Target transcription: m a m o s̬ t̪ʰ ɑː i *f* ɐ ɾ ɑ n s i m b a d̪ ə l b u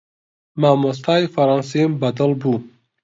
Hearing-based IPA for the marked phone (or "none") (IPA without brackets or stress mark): f